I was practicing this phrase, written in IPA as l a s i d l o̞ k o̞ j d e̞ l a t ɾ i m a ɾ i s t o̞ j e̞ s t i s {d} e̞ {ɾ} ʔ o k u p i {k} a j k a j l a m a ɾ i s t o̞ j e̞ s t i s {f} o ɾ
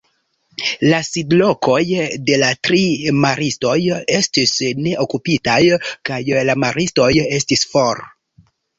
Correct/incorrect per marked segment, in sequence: incorrect, incorrect, incorrect, correct

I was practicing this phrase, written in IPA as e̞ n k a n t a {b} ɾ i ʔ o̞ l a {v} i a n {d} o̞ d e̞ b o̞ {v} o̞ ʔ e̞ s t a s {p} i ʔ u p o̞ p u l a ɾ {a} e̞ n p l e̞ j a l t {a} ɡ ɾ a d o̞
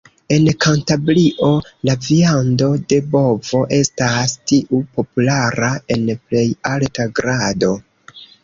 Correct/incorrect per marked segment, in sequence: correct, correct, correct, correct, incorrect, correct, correct

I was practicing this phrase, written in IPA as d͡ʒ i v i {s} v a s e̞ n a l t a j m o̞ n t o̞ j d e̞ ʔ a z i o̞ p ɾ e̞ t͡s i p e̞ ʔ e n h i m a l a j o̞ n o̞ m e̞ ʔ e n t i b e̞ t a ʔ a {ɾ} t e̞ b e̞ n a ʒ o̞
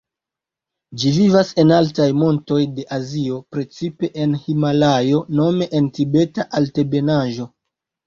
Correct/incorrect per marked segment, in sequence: incorrect, incorrect

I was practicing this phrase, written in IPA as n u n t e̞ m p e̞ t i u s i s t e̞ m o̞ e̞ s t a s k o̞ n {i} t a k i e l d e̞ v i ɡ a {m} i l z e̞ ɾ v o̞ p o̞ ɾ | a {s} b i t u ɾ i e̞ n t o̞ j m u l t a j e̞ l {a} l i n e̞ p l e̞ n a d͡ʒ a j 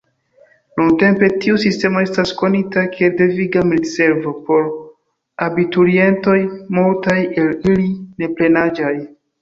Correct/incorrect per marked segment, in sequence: correct, correct, incorrect, incorrect

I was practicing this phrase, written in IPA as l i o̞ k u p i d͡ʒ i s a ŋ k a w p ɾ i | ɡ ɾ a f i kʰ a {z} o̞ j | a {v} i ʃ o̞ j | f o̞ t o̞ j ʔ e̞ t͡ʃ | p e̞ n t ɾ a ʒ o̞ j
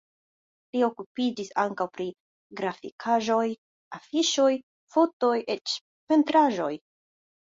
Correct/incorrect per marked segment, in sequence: incorrect, incorrect

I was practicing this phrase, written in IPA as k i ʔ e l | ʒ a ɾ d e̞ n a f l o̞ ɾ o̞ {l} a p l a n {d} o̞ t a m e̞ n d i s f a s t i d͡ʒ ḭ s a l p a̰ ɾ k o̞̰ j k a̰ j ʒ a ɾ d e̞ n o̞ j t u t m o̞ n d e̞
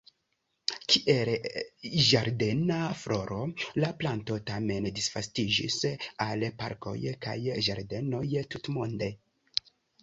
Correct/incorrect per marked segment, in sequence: correct, incorrect

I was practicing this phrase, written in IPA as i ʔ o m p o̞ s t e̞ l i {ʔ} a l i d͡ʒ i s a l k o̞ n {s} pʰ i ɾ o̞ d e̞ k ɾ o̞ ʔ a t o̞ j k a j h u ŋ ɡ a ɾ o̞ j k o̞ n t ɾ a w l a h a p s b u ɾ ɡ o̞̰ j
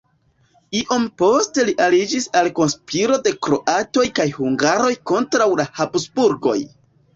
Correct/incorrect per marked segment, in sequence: correct, correct

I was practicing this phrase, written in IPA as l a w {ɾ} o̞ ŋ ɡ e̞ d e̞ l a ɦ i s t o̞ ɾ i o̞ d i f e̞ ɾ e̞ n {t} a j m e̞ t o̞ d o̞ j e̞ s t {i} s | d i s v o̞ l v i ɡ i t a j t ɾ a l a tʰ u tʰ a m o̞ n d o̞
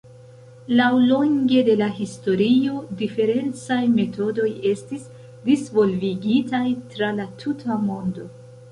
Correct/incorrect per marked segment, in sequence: incorrect, incorrect, correct

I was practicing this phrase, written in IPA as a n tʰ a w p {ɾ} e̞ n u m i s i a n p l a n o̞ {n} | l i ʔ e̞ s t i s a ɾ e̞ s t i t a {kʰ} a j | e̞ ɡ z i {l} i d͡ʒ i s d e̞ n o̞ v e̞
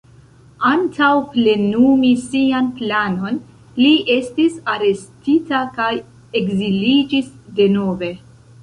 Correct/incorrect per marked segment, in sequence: incorrect, correct, incorrect, correct

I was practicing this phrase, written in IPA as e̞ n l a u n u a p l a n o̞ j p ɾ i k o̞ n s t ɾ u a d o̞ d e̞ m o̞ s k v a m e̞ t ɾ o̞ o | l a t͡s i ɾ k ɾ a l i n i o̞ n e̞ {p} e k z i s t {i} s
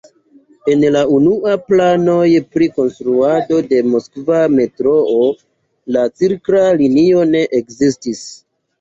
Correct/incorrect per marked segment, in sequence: incorrect, correct

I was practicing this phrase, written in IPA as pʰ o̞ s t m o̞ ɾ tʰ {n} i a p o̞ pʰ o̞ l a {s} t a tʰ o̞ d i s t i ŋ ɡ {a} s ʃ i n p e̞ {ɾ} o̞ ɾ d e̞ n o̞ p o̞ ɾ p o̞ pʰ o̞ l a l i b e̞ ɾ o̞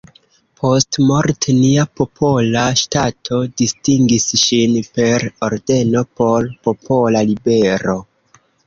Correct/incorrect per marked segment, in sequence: correct, incorrect, incorrect, correct

